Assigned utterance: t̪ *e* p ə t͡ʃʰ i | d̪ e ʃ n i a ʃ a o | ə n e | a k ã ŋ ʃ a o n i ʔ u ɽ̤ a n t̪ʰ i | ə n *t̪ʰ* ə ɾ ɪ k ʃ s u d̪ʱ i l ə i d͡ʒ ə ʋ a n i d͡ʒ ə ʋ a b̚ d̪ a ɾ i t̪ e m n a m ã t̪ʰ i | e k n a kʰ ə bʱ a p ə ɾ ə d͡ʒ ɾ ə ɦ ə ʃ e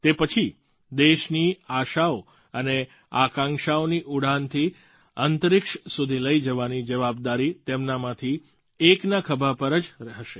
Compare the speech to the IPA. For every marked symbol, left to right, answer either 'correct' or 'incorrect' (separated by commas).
correct, incorrect